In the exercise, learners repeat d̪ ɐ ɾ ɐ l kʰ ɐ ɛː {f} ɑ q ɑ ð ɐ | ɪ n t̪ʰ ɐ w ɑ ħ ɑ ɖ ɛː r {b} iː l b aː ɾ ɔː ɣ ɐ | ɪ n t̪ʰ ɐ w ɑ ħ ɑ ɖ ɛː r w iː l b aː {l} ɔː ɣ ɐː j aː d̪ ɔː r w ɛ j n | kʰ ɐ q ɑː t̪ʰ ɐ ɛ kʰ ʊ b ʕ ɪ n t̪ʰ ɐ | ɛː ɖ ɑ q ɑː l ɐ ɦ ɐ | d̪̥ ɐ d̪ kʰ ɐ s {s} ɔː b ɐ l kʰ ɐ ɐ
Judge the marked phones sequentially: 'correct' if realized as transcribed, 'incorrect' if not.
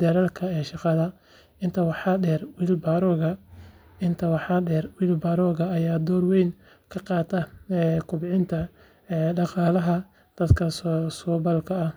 incorrect: ʃ, incorrect: w, incorrect: ɾ, correct

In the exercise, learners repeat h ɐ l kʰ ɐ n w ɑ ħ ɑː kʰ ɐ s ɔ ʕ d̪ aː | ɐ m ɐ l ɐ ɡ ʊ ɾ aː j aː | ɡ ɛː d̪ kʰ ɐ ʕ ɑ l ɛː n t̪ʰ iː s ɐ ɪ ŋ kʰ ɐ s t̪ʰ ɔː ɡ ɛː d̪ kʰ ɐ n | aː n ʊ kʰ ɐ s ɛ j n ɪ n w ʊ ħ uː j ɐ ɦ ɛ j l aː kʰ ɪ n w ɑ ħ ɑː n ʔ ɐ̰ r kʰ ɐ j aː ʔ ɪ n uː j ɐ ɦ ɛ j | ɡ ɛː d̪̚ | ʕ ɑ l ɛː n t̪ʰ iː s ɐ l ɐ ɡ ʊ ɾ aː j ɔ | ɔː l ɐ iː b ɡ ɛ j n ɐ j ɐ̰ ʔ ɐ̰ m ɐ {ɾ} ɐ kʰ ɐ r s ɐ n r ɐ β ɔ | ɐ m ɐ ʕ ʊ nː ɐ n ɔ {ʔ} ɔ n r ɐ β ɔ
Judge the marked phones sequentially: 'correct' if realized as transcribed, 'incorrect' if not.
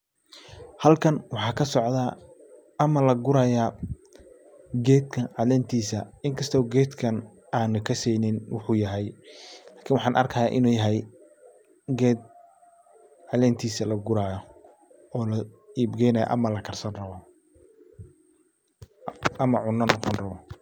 incorrect: l, incorrect: q

